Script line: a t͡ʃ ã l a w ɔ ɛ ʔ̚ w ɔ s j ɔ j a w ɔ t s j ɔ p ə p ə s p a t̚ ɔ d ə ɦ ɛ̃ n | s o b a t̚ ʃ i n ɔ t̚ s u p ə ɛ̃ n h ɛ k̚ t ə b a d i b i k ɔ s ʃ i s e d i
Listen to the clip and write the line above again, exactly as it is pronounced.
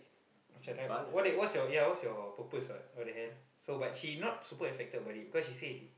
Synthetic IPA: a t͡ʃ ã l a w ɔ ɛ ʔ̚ w ɔ s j ɔ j a w ɔ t s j ɔ p ə p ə s b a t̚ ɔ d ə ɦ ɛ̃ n | s o b a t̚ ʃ i n ɔ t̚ s u p ə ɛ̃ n f ɛ k̚ t ə b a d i b i k ɔ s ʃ i s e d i